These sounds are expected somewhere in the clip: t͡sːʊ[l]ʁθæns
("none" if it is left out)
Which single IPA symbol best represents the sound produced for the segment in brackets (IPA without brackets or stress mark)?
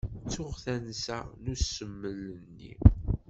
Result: none